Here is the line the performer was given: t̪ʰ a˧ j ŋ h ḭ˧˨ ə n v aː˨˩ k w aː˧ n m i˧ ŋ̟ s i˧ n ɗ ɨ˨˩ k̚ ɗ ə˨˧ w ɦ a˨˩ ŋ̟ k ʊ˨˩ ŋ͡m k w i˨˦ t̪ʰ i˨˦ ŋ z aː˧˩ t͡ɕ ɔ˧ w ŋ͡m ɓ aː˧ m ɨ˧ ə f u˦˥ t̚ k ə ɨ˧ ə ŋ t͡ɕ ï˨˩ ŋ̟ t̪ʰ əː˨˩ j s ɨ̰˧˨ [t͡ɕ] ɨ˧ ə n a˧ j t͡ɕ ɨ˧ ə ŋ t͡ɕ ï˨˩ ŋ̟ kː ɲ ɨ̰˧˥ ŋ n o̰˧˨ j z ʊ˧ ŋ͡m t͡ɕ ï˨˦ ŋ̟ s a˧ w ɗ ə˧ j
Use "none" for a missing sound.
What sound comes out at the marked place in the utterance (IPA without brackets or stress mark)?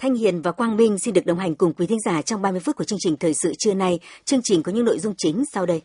t͡ɕ